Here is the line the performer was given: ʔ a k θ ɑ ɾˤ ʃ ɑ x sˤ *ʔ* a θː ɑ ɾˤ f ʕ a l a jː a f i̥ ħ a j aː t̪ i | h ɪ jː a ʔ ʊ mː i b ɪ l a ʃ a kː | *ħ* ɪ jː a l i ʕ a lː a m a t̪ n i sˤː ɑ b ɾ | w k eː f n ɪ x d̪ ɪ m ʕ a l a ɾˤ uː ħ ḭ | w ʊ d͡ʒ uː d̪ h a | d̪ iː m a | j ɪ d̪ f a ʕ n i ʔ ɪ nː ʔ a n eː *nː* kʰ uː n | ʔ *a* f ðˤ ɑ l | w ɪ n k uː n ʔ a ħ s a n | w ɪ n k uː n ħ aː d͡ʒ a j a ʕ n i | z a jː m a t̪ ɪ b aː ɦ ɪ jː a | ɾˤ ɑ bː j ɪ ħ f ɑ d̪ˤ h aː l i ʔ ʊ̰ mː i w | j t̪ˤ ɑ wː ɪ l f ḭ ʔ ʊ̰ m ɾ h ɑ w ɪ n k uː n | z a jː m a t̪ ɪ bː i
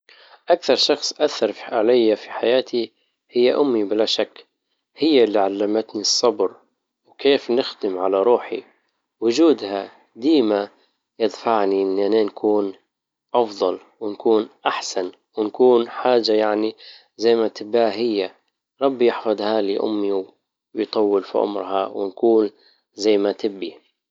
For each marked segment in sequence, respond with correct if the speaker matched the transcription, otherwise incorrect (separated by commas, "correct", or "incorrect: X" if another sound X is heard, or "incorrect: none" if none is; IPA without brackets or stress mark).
correct, incorrect: h, incorrect: n, incorrect: ɑ